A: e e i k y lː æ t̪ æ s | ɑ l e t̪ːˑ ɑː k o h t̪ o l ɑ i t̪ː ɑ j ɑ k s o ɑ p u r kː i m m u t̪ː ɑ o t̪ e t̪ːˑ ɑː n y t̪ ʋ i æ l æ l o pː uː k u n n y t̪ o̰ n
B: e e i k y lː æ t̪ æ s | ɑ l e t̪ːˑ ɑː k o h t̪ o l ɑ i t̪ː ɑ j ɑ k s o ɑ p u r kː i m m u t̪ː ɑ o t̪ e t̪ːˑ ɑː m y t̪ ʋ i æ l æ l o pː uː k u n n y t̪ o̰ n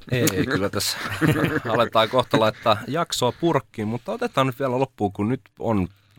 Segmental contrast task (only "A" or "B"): A